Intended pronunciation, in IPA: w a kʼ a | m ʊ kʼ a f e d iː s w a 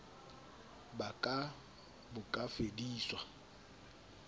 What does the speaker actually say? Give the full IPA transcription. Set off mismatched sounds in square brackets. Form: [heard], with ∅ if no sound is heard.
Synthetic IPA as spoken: [b] a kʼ a | [b] ʊ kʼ a f e d iː s w a